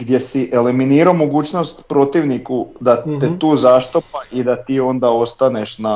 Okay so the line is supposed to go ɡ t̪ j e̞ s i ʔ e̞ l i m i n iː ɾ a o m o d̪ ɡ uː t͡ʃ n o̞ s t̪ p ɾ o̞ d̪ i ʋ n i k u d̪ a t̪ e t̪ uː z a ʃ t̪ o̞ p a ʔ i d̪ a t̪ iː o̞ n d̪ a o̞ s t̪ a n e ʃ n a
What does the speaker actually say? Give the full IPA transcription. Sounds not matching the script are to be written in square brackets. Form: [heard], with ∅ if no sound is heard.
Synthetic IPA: ɡ [d̪] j e̞ s i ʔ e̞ l i m i n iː ɾ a o m o [∅] ɡ uː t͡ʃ n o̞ s t̪ p ɾ o̞ [t̪] i ʋ n i k u d̪ a t̪ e t̪ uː z a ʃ t̪ o̞ p a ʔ i d̪ a t̪ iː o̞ n d̪ a o̞ s t̪ a n e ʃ n a